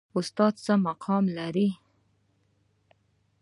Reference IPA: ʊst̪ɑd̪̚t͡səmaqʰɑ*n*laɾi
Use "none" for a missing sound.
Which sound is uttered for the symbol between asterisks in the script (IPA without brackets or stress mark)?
m